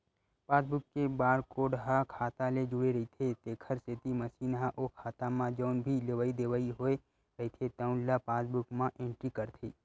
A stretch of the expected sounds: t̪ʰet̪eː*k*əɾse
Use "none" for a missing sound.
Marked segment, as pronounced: kʰ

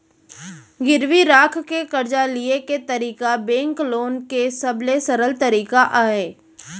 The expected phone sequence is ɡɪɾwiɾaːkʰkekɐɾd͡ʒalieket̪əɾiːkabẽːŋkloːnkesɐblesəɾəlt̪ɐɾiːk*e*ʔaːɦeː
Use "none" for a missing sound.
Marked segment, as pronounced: a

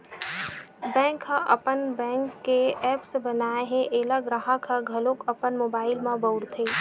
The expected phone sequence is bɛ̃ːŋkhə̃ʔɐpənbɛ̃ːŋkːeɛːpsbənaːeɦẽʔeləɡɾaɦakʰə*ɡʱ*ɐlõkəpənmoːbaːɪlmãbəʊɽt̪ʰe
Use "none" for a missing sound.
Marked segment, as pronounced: ɡʱ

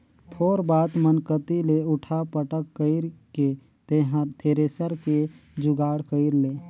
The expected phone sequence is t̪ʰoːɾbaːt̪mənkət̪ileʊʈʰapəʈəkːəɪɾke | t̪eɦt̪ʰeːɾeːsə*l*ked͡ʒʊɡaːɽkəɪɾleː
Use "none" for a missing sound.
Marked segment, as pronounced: ɾ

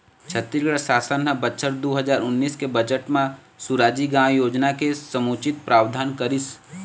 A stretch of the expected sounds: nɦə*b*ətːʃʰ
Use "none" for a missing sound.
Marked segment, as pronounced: b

